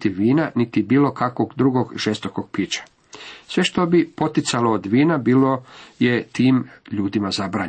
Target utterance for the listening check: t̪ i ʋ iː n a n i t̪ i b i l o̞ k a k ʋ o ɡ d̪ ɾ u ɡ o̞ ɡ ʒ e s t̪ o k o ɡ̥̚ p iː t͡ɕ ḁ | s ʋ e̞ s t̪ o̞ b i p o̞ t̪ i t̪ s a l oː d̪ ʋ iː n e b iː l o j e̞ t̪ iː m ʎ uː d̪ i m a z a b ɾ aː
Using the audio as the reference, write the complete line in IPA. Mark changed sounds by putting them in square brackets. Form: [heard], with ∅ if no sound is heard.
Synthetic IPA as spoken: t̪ i ʋ iː n a n i t̪ i b [iː] l o̞ k a k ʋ o ɡ d̪ ɾ u ɡ o̞ ɡ ʒ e s t̪ o k o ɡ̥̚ p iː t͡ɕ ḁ | s ʋ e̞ [ʃ] t̪ o̞ b i p o̞ t̪ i t̪ s a l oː d̪ ʋ iː n [a] b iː l o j e̞ t̪ iː m ʎ uː d̪ i m a z a b ɾ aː